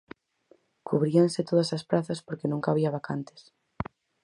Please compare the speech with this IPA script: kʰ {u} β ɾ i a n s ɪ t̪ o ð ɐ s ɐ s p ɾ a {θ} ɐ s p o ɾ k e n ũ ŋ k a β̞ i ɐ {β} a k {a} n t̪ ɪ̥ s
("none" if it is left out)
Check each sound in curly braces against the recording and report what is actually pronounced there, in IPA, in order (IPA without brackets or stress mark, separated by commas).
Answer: u, θ, β, a